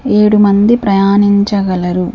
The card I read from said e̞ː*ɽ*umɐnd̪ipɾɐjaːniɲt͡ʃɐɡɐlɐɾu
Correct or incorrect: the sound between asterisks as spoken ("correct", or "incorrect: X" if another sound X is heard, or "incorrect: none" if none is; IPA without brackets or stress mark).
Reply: correct